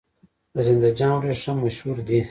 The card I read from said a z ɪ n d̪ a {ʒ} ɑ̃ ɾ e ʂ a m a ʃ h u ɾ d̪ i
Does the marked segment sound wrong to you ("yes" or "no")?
yes